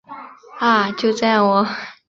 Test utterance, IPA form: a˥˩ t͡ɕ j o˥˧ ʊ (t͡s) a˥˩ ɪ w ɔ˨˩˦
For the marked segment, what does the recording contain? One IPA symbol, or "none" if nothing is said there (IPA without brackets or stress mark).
t͡s